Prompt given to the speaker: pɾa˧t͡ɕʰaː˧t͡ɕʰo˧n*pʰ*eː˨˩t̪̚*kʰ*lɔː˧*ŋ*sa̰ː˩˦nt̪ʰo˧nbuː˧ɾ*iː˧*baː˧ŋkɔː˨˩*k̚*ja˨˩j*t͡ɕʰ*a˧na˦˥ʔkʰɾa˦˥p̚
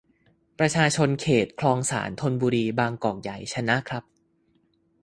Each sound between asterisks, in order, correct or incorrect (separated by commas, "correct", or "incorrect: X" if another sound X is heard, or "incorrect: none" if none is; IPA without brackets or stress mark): incorrect: kʰ, correct, correct, correct, correct, correct